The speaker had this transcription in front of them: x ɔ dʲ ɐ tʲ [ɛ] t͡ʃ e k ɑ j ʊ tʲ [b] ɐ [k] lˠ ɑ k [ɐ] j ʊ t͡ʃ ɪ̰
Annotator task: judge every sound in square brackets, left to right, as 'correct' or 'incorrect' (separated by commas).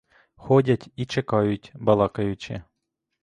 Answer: incorrect, correct, incorrect, correct